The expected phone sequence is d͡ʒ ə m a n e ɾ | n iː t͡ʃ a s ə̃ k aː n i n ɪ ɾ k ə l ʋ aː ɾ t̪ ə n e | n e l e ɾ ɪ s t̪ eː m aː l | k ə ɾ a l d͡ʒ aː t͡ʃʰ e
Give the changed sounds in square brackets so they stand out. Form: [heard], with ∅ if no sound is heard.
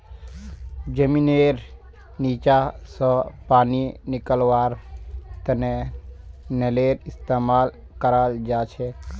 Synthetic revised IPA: d͡ʒ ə m [i] n e ɾ | n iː t͡ʃ a s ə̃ [p] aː n i n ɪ [∅] k ə l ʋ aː ɾ t̪ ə n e | n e l e ɾ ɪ s t̪ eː m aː l | k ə ɾ a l d͡ʒ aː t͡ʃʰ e